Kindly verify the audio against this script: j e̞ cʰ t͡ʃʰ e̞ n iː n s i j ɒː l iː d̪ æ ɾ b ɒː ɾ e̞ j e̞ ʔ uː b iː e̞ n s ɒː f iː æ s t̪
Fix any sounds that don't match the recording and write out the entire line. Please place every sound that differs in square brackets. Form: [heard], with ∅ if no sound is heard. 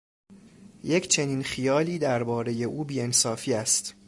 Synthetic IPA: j e̞ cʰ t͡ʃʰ e̞ n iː n [x] i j ɒː l iː d̪ æ ɾ b ɒː ɾ e̞ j e̞ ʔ uː b iː e̞ n s ɒː f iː æ s t̪